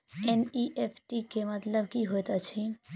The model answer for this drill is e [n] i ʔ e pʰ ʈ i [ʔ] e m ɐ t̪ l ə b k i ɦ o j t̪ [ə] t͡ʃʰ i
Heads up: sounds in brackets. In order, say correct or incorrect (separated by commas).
correct, incorrect, incorrect